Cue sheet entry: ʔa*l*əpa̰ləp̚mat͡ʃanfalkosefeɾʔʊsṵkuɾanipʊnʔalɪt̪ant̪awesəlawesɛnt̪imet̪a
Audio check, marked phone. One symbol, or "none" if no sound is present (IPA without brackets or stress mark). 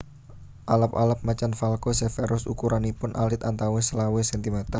l